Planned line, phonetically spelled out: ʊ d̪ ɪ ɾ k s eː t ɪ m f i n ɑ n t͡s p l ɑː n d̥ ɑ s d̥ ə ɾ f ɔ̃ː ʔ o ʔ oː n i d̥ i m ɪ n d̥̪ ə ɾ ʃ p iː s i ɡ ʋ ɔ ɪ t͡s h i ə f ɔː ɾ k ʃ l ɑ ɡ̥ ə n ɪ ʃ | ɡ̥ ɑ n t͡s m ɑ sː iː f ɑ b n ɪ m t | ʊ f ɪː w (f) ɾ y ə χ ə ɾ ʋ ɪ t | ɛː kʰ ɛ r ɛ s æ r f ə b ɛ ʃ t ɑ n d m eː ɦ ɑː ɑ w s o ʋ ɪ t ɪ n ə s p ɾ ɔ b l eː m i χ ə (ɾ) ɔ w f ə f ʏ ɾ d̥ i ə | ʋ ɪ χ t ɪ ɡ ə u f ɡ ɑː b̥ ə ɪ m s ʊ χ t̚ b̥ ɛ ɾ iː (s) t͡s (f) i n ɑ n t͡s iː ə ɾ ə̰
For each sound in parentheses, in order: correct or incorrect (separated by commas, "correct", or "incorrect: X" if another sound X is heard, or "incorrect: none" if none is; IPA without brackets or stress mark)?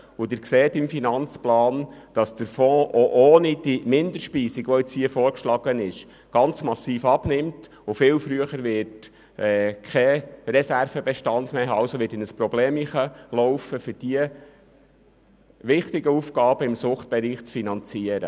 correct, incorrect: l, incorrect: χ, correct